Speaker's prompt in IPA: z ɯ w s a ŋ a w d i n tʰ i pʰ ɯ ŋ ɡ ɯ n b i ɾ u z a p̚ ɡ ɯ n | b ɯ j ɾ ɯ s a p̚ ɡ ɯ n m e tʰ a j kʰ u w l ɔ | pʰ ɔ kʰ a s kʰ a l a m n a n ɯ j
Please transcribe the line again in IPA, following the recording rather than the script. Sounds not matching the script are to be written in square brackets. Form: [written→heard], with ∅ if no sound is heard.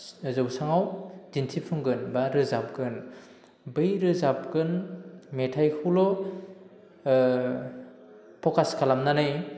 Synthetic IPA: z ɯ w s a ŋ a w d i n tʰ i pʰ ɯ ŋ ɡ ɯ n b [i→a] ɾ [u→ɯ] z a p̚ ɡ ɯ n | b ɯ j ɾ ɯ [s→z] a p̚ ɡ ɯ n m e tʰ a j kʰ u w l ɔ | pʰ ɔ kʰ a s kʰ a l a m n a n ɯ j